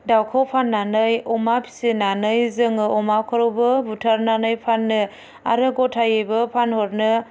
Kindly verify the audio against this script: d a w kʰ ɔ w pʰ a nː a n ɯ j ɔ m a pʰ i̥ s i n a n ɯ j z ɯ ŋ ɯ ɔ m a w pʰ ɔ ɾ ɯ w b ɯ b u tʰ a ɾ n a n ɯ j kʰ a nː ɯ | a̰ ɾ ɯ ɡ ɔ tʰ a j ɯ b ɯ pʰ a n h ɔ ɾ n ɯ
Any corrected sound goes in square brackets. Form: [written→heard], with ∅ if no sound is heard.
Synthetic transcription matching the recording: d a w kʰ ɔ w pʰ a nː a n ɯ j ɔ m a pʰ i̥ s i n a n ɯ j z ɯ ŋ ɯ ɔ m a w [pʰ→kʰ] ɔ ɾ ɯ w b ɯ b u tʰ a ɾ n a n ɯ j [kʰ→pʰ] a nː ɯ | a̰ ɾ ɯ ɡ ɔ tʰ a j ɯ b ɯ pʰ a n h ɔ ɾ n ɯ